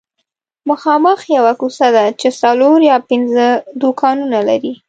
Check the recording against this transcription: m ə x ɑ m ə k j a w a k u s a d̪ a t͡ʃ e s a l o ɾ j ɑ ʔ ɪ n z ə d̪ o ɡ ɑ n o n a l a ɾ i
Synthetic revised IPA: m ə x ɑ m ə x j a w a k u s a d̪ a t͡ʃ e s a l o ɾ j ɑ p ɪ n z ə d̪ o k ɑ n u n a l a ɾ i